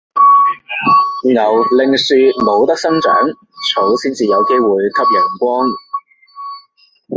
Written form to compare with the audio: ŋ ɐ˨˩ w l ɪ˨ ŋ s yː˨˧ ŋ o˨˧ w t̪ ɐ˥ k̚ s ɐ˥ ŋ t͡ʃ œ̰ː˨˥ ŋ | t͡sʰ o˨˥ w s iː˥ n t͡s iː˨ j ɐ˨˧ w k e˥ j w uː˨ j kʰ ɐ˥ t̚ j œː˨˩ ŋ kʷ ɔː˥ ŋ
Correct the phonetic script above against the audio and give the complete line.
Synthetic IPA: ŋ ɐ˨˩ w l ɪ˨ ŋ s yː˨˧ m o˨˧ w t̪ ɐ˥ k̚ s ɐ˥ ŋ t͡ʃ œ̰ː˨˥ ŋ | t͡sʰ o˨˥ w s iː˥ n t͡s iː˨ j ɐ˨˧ w k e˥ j w uː˨ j kʰ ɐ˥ p̚ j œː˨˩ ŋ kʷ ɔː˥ ŋ

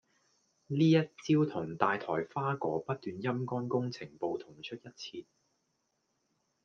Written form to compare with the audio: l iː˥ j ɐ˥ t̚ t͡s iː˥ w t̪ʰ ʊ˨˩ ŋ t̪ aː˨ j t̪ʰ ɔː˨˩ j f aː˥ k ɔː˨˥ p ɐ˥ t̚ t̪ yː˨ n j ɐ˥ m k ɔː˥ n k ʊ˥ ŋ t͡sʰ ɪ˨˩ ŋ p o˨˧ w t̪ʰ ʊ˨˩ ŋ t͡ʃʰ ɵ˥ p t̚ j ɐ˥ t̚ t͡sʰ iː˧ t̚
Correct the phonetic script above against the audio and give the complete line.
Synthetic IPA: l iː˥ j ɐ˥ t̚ t͡s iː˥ w t̪ʰ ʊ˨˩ ŋ t̪ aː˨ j t̪ʰ ɔː˨˩ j f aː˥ k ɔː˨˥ p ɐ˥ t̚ t̪ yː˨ n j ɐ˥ m k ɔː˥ n k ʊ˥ ŋ t͡sʰ ɪ˨˩ ŋ p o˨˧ w t̪ʰ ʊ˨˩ ŋ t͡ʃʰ ɵ˥ t̚ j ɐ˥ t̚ t͡sʰ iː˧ t̚

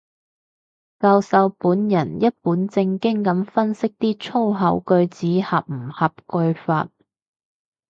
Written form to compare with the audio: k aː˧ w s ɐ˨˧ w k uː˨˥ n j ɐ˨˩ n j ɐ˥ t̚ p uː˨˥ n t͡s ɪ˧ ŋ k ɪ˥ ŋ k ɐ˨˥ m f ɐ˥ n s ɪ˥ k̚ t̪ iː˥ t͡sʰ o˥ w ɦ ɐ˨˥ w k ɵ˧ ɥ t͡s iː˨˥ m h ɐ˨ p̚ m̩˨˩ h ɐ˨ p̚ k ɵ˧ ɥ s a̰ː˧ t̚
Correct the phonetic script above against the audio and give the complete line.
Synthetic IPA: k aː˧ w s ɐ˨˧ w p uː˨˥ n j ɐ˨˩ n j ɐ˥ t̚ p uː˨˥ n t͡s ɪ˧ ŋ k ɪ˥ ŋ k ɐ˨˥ m f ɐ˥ n s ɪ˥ k̚ t̪ iː˥ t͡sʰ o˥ w ɦ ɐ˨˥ w k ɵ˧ ɥ t͡s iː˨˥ h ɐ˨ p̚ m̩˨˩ h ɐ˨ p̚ k ɵ˧ ɥ f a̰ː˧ t̚

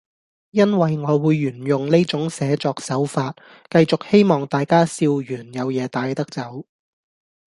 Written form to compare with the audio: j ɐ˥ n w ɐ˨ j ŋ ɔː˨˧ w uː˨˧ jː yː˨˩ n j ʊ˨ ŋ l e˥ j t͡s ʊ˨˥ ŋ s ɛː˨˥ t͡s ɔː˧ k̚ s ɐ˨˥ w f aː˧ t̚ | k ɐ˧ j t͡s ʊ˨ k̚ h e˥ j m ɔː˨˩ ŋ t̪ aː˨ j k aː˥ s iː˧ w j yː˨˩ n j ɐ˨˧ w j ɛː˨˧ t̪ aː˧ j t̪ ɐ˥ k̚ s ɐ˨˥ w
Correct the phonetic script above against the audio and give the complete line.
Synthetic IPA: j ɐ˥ n w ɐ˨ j ŋ ɔː˨˧ w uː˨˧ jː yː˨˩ n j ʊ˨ ŋ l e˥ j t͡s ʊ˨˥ ŋ s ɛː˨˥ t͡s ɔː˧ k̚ s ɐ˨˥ w f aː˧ t̚ | k ɐ˧ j t͡s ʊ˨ k̚ h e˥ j m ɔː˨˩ ŋ t̪ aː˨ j k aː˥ s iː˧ w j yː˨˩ n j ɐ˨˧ w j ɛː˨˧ t̪ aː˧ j t̪ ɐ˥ k̚ t͡s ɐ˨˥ w

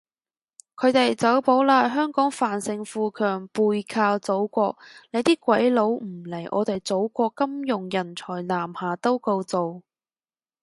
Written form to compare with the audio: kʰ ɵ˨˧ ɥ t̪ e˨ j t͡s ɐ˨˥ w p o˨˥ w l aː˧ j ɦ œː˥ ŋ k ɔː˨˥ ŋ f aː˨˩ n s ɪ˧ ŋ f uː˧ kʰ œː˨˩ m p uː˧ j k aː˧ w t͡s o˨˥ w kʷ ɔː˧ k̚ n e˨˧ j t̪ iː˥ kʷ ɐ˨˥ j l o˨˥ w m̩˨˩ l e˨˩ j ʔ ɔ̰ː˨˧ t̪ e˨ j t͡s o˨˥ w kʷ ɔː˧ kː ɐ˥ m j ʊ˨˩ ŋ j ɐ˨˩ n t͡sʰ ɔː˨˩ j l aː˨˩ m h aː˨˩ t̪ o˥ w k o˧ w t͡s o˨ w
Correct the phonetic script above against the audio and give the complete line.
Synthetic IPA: kʰ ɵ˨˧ ɥ t̪ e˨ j t͡s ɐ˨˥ w p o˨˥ w l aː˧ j ɦ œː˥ ŋ k ɔː˨˥ ŋ f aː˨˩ n s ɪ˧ ŋ f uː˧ kʰ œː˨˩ ŋ p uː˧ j kʰ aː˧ w t͡s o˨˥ w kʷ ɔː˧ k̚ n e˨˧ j t̪ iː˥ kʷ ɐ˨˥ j l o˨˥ w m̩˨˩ l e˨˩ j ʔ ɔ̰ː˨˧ t̪ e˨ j t͡s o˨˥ w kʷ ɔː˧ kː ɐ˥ m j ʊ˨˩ ŋ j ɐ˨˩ n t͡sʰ ɔː˨˩ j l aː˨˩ m h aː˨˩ t̪ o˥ w k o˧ w t͡s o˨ w

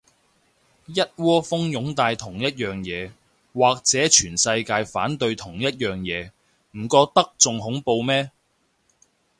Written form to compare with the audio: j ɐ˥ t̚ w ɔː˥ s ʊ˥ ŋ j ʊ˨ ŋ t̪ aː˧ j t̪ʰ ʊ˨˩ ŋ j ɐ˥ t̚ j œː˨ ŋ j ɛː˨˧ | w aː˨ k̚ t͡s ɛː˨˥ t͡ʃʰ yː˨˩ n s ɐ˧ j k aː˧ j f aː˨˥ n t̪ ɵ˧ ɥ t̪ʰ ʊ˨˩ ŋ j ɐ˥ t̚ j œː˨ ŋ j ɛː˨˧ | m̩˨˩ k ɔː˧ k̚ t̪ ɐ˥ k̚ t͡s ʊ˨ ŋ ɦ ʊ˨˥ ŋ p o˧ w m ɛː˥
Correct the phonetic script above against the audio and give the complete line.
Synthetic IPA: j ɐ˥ t̚ w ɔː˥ f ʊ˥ ŋ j ʊ˨˥ ŋ t̪ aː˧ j t̪ʰ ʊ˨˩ ŋ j ɐ˥ t̚ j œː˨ ŋ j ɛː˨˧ | w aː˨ k̚ t͡s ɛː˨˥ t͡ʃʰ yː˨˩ n s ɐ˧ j k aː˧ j f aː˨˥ n t̪ ɵ˧ ɥ t̪ʰ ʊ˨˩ ŋ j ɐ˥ t̚ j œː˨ ŋ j ɛː˨˧ | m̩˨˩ k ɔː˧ k̚ t̪ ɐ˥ k̚ t͡s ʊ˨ ŋ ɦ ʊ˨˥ ŋ p o˧ w m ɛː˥

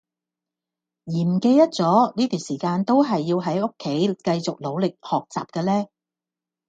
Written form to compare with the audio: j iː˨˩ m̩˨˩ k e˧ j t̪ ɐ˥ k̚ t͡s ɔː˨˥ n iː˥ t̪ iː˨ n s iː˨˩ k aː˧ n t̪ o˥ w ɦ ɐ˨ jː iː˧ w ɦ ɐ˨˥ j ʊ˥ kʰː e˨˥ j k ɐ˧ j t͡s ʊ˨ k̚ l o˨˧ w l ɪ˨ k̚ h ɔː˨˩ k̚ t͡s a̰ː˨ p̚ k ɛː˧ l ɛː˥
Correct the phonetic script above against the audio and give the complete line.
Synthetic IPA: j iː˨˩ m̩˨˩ k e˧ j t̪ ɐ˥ t̚ t͡s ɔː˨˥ n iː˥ t̪ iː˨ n s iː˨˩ k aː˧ n t̪ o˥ w ɦ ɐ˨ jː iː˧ w ɦ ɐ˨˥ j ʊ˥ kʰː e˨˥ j k ɐ˧ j t͡s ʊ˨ k̚ l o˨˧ w l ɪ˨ k̚ h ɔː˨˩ k̚ t͡s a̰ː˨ p̚ k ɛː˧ l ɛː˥

